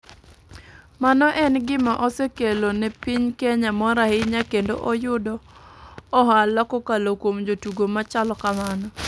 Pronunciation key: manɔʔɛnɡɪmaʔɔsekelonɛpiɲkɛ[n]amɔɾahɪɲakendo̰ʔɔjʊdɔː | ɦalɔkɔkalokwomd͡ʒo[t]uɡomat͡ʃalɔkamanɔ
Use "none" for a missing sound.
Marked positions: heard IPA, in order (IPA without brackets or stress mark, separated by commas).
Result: ɲ, t